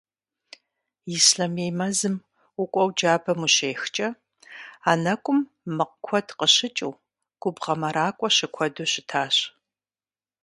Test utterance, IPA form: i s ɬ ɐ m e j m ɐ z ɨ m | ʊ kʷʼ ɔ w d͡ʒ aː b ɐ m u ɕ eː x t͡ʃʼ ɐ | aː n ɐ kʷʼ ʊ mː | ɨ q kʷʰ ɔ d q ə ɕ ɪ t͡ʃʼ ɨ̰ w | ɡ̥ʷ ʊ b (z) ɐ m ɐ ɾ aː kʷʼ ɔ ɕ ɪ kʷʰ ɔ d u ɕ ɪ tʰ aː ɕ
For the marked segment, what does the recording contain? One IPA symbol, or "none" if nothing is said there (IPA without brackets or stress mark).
ʁ